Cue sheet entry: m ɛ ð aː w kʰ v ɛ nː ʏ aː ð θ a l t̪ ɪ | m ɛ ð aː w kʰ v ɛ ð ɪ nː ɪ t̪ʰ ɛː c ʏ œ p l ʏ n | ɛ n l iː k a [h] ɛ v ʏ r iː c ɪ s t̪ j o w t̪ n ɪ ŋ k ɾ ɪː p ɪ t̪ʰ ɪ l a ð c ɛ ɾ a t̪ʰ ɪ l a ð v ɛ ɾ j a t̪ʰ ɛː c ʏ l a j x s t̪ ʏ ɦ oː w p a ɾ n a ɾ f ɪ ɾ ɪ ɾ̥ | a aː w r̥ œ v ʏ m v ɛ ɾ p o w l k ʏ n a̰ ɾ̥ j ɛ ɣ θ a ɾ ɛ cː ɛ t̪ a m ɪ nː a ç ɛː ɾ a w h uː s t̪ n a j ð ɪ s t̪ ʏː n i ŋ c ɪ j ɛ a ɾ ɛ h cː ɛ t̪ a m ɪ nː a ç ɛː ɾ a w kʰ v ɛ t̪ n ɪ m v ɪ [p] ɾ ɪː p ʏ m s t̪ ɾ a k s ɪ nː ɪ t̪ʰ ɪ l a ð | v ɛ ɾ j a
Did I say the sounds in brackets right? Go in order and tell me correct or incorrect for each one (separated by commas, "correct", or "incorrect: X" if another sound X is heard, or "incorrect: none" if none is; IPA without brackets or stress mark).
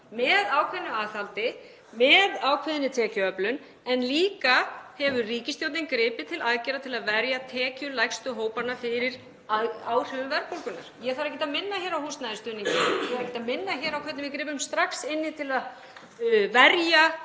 correct, incorrect: k